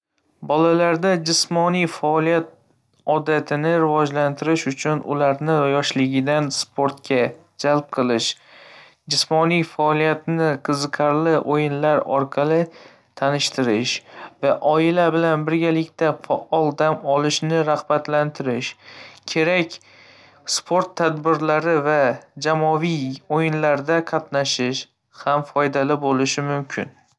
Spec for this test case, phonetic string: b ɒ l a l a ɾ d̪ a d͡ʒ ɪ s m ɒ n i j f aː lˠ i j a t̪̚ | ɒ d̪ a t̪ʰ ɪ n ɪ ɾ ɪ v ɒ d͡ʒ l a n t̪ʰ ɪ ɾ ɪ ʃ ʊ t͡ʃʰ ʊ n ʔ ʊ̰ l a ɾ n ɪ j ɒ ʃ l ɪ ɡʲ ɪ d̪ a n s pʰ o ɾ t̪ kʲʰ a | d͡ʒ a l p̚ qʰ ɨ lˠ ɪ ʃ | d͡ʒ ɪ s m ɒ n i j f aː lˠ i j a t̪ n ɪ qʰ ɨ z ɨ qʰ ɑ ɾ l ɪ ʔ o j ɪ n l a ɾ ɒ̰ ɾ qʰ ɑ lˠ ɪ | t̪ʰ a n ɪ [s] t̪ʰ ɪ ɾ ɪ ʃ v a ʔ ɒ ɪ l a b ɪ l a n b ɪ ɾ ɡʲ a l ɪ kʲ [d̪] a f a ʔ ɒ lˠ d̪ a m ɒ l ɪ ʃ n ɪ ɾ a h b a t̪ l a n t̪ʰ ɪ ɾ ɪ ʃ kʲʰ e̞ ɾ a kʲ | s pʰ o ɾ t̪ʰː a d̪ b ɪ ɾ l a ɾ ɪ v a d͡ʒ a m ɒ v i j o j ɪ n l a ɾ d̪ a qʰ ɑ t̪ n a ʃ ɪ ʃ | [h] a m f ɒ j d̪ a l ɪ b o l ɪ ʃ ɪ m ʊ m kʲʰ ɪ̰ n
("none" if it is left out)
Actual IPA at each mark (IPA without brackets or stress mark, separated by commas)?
ʃ, t̪, h